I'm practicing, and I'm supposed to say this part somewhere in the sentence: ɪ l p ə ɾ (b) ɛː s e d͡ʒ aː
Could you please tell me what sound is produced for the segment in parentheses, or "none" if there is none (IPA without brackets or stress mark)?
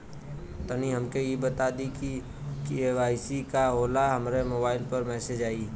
m